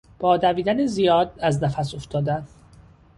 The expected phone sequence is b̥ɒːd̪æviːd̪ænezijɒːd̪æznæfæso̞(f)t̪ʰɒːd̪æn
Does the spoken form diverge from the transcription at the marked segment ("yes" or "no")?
no